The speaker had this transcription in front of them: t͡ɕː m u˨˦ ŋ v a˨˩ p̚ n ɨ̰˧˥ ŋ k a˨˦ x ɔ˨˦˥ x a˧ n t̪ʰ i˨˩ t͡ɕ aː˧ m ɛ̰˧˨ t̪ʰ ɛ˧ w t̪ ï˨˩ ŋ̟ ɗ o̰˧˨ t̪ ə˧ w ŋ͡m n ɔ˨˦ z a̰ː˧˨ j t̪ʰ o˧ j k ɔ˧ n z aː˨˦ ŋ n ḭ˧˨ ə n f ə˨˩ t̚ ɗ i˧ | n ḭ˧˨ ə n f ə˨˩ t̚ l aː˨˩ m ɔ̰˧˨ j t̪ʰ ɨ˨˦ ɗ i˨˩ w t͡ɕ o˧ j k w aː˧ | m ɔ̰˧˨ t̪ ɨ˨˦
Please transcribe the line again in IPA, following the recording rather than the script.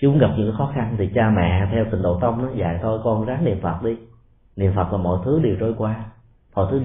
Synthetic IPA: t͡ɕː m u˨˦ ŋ ɣ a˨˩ p̚ ɲ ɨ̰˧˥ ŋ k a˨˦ x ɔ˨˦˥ x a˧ n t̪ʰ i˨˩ t͡ɕ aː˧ m ɛ̰˧˨ t̪ʰ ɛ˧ w t̪ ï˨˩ ŋ̟ ɗ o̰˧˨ t̪ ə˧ w ŋ͡m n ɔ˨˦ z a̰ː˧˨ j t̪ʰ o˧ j k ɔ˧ n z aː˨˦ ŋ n ḭ˧˨ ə n f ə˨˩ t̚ ɗ i˧ | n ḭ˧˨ ə n f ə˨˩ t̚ l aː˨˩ m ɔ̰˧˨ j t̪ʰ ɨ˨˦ ɗ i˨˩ w t͡ɕ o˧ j k w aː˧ | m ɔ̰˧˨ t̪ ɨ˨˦